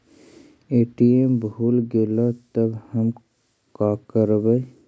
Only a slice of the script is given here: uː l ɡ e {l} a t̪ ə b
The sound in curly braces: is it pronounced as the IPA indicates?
yes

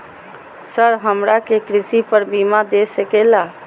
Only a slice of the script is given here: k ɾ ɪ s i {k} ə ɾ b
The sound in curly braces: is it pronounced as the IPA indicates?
no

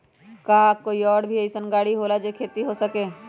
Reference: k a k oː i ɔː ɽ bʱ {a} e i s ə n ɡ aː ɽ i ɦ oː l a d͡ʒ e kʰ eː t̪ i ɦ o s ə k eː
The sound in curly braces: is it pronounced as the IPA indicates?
no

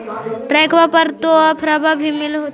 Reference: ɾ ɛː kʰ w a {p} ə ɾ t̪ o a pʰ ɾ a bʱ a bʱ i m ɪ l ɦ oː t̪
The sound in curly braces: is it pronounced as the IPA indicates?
yes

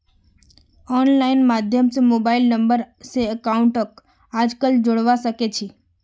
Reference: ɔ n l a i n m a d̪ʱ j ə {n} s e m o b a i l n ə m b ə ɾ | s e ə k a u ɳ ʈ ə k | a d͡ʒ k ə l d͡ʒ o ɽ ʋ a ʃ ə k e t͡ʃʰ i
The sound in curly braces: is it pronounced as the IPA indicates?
no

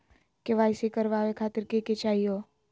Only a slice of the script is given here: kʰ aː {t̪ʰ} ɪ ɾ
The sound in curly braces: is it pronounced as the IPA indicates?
no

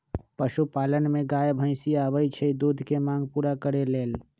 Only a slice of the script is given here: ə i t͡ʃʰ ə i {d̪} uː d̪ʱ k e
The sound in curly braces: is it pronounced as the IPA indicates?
yes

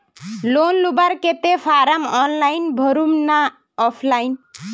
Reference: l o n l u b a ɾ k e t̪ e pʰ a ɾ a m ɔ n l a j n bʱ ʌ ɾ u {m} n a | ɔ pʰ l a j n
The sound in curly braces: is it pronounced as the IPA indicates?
yes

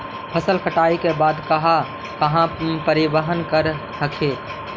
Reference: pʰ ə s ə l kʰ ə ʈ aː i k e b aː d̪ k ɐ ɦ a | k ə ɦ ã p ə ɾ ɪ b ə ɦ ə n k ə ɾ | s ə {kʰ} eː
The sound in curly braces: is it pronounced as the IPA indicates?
yes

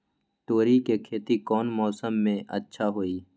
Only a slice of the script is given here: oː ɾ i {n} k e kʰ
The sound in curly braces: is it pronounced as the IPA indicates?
no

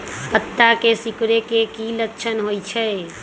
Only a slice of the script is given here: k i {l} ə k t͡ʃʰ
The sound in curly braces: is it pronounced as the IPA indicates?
yes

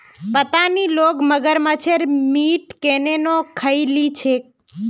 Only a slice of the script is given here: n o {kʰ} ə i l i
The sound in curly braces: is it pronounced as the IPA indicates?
yes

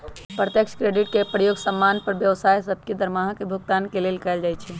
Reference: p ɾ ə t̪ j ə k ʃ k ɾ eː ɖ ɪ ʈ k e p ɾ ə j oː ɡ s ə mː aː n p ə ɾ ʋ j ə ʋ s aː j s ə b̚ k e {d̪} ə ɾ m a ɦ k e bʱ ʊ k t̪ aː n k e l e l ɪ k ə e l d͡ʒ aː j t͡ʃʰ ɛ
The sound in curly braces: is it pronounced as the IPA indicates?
yes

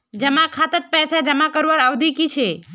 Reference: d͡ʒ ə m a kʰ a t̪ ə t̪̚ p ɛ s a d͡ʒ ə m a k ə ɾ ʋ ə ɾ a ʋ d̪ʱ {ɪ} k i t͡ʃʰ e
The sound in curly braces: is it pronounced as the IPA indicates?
no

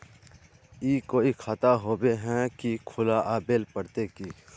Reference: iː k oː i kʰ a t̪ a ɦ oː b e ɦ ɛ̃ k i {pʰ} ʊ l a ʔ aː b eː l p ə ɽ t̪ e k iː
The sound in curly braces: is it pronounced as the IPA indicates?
no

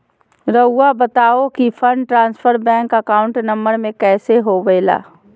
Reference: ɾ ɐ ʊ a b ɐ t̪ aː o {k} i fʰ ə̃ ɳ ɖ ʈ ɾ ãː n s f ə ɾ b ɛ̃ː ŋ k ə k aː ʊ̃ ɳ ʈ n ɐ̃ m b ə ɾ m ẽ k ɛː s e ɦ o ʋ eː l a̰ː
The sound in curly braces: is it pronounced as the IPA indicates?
yes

